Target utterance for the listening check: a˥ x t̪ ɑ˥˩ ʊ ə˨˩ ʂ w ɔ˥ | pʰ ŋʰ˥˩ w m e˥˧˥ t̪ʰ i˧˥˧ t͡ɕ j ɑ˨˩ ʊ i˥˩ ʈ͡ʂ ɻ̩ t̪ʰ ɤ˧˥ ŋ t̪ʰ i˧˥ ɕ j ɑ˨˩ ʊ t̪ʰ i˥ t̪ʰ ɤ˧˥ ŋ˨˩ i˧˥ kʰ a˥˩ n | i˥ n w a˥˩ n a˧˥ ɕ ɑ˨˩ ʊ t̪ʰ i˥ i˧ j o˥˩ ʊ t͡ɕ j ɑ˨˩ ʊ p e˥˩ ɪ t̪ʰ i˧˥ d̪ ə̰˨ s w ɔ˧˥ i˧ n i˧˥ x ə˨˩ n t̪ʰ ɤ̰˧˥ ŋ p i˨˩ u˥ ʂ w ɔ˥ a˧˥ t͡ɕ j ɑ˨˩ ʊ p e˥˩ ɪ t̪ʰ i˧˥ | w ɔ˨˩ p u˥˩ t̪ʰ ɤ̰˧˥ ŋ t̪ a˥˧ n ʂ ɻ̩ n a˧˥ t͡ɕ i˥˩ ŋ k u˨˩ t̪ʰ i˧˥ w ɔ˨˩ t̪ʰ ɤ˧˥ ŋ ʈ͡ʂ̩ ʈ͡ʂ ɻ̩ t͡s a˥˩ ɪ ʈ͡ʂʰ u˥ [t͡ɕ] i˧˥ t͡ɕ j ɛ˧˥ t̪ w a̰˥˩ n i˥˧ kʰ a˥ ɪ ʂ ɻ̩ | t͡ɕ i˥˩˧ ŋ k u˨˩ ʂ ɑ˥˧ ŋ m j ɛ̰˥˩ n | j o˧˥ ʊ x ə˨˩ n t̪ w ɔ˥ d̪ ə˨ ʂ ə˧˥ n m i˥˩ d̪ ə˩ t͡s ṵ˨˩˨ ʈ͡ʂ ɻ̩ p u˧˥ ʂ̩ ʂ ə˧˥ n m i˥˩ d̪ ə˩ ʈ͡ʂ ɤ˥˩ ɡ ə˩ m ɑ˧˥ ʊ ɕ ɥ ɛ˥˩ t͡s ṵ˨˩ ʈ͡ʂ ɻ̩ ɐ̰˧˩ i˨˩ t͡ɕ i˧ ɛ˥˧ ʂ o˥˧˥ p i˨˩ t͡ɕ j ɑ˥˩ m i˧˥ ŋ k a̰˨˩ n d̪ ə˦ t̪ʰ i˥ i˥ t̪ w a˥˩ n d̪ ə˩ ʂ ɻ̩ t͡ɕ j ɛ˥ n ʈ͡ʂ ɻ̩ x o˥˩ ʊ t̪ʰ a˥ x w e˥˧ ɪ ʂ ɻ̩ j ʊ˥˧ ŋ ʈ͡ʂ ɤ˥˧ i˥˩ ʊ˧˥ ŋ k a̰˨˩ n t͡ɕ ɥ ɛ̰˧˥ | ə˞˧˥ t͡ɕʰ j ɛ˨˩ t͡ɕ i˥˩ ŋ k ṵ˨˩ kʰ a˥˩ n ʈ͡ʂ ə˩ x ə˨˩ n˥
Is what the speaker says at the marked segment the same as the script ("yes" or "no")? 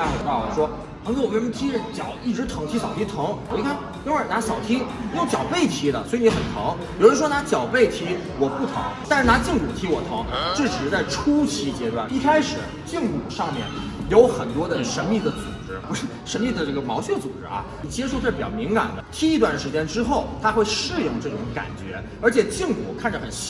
no